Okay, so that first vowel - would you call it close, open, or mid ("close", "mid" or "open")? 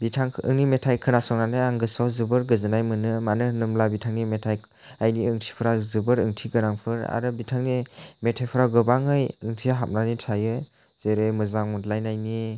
close